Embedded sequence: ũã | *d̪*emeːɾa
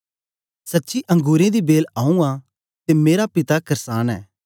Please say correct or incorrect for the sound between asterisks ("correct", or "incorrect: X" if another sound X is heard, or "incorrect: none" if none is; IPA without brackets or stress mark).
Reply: incorrect: t̪